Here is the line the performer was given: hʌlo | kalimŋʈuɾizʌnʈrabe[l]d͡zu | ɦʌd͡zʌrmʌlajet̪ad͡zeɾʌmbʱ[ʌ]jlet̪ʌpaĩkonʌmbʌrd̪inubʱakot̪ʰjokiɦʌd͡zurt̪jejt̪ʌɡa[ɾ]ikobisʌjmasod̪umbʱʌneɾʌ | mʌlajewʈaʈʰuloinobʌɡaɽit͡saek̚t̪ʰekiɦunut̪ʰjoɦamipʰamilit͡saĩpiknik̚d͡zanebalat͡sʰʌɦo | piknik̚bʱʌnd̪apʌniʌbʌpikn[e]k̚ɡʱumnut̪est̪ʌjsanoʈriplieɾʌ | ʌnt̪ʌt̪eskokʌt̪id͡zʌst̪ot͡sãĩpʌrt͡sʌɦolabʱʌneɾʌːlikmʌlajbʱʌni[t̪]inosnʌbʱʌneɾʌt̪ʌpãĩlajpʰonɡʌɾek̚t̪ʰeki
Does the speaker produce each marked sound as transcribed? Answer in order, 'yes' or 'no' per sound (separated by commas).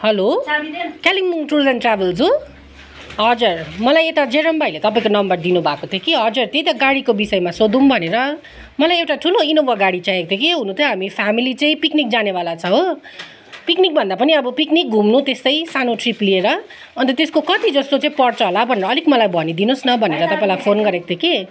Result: yes, no, no, no, no